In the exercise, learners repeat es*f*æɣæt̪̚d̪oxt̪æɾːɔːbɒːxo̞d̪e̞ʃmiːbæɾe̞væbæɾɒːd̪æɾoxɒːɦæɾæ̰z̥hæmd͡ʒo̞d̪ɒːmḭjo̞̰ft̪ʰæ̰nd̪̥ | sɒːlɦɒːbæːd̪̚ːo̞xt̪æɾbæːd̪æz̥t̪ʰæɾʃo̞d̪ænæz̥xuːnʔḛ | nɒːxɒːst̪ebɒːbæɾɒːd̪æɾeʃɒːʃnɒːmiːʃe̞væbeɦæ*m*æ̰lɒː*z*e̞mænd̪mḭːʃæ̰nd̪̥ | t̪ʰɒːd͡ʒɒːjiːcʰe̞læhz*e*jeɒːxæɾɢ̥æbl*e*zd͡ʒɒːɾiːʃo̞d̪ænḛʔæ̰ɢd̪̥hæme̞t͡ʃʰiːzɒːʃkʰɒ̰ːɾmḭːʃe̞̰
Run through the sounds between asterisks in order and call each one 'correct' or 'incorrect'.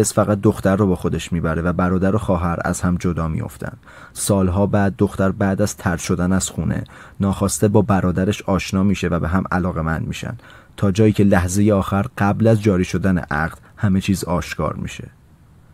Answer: correct, correct, incorrect: ɣ, correct, incorrect: æ

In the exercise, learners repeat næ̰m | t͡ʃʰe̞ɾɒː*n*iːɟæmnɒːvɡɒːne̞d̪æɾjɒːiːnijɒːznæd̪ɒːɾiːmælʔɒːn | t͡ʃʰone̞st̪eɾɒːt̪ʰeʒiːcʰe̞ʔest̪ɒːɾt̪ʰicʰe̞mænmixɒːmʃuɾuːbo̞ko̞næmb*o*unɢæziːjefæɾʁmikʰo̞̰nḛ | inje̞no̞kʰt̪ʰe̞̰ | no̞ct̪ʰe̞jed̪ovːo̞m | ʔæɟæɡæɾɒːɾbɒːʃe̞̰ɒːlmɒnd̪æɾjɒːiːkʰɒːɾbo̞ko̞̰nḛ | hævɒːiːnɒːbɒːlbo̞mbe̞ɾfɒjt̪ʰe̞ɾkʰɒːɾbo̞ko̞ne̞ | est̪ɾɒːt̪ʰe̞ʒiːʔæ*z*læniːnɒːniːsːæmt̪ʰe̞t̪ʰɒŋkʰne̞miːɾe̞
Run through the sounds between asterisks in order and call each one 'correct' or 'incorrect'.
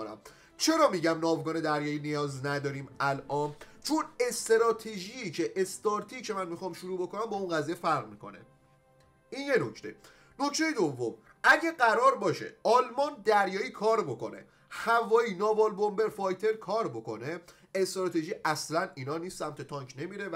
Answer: incorrect: m, incorrect: ɒ, incorrect: s

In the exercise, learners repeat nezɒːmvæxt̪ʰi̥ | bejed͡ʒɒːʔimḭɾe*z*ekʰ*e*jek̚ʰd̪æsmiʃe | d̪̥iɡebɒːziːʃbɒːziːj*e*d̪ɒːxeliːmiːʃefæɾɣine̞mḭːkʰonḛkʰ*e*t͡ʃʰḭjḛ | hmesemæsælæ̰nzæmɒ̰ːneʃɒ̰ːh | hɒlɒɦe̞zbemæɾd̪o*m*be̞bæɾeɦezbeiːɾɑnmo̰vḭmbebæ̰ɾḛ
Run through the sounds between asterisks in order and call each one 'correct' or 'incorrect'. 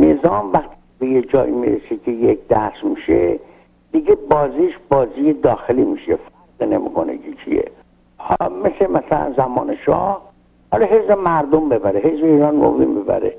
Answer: incorrect: s, correct, correct, correct, correct

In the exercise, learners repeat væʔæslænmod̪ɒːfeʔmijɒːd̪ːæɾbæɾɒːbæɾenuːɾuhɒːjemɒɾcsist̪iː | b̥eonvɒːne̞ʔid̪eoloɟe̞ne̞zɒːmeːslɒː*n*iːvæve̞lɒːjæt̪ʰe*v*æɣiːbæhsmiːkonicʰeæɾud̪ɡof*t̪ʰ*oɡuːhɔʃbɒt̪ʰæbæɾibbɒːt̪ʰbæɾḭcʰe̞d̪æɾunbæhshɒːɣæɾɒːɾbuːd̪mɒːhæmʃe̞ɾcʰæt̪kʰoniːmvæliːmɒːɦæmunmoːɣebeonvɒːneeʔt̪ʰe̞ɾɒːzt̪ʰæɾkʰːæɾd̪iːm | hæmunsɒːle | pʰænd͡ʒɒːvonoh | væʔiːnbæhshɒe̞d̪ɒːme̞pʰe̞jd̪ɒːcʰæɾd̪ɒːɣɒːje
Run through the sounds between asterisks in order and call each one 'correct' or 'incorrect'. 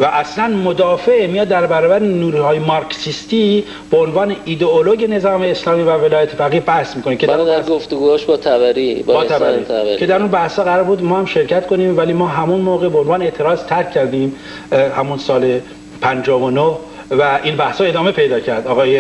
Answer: incorrect: m, incorrect: f, incorrect: t̪

